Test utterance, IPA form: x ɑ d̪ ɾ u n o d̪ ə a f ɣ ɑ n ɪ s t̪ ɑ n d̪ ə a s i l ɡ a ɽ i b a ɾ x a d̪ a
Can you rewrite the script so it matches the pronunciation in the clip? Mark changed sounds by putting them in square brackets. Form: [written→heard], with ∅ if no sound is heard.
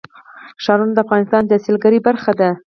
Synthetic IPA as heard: [x→ʃ] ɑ [d̪→∅] ɾ u n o d̪ ə a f ɣ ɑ n ɪ s t̪ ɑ n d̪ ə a s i l ɡ a [ɽ→ɾ] i b a ɾ x a d̪ a